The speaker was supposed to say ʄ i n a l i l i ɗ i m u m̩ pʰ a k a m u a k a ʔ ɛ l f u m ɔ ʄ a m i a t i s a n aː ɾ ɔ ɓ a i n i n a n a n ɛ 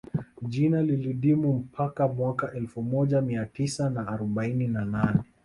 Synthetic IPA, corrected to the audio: ʄ i n a l i l i ɗ i m u m̩ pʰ a k a m w a k a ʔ ɛ l f u m ɔ ʄ a m i a t i s a n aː ɾ ɔ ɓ a i n i n a n a n ɛ